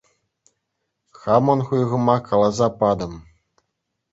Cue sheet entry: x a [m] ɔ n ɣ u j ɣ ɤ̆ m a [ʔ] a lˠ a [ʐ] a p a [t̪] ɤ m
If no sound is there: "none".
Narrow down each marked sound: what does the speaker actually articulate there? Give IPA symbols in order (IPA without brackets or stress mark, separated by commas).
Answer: m, k, z, d̪